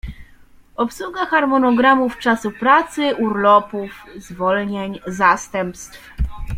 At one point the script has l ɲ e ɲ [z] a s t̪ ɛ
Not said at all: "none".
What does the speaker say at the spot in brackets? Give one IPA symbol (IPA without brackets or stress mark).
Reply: z